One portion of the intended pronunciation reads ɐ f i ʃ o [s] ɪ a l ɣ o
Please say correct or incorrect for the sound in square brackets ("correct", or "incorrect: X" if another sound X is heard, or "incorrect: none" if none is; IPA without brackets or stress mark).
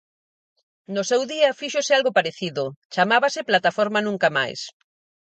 correct